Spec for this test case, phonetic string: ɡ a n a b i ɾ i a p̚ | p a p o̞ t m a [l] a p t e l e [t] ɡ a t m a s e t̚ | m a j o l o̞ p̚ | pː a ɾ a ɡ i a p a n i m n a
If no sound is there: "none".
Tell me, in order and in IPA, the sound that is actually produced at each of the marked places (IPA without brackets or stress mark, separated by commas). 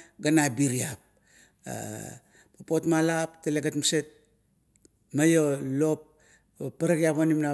l, none